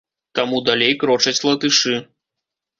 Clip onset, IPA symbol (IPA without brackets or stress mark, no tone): t̪